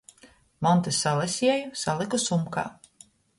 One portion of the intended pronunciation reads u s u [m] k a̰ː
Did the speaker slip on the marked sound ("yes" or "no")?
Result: no